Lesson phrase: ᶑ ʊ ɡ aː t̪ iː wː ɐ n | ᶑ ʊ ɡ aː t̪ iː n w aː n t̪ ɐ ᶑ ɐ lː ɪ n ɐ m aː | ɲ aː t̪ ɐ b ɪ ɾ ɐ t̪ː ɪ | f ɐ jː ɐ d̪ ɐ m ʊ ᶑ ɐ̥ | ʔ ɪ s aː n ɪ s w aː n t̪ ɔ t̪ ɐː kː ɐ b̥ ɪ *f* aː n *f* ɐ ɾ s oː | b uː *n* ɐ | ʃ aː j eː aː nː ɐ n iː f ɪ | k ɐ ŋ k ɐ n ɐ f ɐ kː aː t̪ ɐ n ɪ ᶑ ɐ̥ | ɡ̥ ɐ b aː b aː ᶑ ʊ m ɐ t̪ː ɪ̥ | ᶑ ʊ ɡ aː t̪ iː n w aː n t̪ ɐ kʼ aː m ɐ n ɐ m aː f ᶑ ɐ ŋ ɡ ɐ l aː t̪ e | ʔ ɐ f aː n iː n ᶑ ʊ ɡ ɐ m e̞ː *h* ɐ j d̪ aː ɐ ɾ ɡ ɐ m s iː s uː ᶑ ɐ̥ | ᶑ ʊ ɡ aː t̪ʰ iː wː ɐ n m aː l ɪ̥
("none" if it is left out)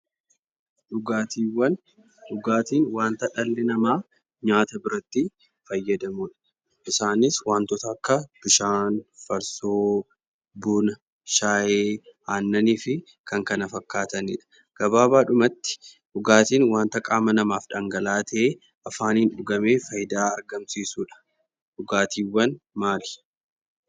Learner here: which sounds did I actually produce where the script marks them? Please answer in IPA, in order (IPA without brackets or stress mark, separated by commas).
ʃ, f, n, f